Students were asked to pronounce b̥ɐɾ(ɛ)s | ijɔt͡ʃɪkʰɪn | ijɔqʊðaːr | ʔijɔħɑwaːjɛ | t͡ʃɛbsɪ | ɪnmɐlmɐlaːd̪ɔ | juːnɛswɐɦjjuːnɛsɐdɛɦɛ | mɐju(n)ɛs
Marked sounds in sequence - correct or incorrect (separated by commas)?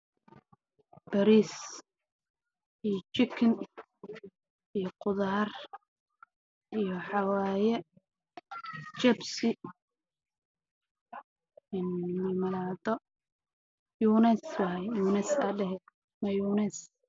incorrect, correct